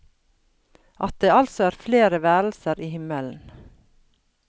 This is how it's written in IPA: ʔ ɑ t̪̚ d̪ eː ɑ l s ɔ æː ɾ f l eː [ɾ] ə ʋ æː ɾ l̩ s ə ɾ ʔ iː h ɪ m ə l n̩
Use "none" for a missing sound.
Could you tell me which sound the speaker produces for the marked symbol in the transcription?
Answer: ɾ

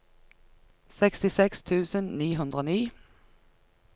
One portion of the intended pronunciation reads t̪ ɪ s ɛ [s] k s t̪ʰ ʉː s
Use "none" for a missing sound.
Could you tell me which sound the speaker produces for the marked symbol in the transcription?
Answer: none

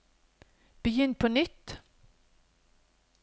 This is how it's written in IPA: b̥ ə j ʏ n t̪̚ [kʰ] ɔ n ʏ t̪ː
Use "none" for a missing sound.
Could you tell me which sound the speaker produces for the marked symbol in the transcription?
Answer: pʰ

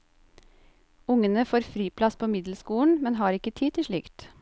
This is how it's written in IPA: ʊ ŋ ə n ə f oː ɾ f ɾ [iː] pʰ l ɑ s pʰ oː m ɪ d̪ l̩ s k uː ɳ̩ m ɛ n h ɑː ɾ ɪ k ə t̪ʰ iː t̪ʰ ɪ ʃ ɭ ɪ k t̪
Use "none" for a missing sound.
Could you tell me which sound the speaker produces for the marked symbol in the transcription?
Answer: iː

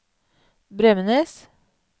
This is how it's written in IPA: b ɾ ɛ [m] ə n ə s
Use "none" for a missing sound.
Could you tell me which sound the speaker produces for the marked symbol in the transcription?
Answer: m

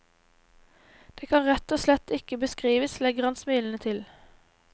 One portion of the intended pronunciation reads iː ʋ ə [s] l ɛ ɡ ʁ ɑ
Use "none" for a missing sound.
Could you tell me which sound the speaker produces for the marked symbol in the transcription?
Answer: s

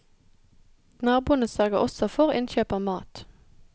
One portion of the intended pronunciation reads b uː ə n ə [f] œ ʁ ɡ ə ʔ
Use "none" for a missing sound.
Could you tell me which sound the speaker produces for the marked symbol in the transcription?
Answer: s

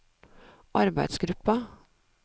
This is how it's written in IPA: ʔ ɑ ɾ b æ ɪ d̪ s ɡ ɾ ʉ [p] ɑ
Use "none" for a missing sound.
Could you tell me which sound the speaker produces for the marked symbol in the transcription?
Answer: p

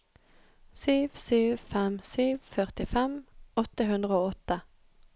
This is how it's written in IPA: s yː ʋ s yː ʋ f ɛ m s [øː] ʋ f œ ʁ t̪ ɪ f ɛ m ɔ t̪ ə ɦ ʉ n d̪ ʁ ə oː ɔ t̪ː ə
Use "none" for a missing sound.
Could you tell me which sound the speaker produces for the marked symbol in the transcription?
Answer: yː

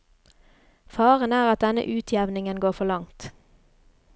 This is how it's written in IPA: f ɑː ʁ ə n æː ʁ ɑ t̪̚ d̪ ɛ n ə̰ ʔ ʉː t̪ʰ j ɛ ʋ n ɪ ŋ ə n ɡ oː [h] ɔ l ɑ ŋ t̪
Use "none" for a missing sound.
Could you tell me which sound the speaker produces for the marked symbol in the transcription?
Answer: f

